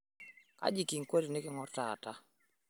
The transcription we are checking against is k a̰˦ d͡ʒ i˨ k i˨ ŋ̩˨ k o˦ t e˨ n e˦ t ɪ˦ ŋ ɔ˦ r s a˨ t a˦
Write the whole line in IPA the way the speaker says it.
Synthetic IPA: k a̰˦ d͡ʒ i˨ k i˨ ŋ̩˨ k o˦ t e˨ n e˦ k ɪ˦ ŋ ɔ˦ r t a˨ t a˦